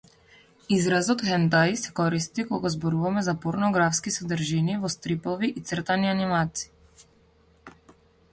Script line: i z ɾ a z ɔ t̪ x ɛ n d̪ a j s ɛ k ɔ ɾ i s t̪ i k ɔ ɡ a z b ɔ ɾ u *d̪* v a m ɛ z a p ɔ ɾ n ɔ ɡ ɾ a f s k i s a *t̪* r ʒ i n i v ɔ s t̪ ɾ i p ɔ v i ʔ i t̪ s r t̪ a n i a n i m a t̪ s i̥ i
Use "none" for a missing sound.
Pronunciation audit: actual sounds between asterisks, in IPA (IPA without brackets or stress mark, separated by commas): none, d̪